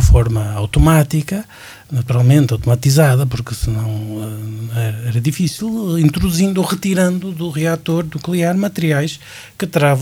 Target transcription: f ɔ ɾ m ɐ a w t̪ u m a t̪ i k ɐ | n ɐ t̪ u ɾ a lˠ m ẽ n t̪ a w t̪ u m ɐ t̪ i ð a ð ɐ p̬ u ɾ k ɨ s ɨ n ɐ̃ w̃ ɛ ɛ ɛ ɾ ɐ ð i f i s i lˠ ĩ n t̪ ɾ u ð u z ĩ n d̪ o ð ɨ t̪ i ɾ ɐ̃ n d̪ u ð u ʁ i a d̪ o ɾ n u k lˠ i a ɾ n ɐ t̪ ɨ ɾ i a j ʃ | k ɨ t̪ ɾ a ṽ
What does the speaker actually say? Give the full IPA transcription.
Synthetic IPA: f ɔ ɾ m ɐ a w t̪ u m a t̪ i k ɐ | n ɐ t̪ u ɾ a lˠ m ẽ n t̪ a w t̪ u m ɐ t̪ i z a ð ɐ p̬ u ɾ k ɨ s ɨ n ɐ̃ w̃ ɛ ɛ ɛ ɾ ɐ ð i f i s i lˠ ĩ n t̪ ɾ u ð u z ĩ n d̪ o ʁ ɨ t̪ i ɾ ɐ̃ n d̪ u ð u ʁ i a t̪ o ɾ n u k lˠ i a ɾ m ɐ t̪ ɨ ɾ i a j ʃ | k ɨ t̪ ɾ a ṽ